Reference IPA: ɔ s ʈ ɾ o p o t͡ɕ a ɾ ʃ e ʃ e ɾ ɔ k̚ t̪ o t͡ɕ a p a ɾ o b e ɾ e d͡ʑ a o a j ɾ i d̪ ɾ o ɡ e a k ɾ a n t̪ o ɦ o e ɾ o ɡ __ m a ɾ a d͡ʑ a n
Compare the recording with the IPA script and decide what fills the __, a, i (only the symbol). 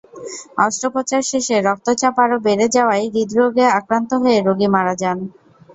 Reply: i